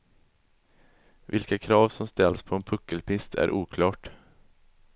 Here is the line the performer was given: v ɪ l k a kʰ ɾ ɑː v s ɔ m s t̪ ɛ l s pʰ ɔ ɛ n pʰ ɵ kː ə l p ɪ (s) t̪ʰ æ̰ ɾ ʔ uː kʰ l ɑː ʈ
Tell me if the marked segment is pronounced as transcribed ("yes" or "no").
yes